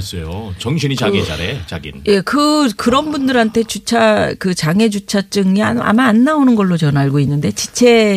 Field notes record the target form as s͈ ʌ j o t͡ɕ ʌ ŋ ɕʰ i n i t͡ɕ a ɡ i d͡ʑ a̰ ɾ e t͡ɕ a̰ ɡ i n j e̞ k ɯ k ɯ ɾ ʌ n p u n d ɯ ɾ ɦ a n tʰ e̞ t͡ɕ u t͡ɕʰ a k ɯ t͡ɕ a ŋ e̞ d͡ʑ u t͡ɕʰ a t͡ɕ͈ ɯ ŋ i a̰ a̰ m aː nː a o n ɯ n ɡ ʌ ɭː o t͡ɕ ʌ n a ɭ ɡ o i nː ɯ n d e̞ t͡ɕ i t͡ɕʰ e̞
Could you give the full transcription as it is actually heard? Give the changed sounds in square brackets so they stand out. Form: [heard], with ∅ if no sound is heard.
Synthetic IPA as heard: s͈ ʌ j o t͡ɕ ʌ ŋ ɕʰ i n i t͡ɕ a ɡ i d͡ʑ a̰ ɾ e t͡ɕ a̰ ɡ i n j e̞ k ɯ k ɯ ɾ ʌ n [b] u n d ɯ ɾ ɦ a n tʰ e̞ t͡ɕ u t͡ɕʰ a k ɯ t͡ɕ a ŋ e̞ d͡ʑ u t͡ɕʰ a t͡ɕ͈ ɯ ŋ i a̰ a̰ m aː nː a o n ɯ n ɡ ʌ ɭː o t͡ɕ ʌ n a ɭ ɡ o i nː ɯ n d e̞ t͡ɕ i t͡ɕʰ e̞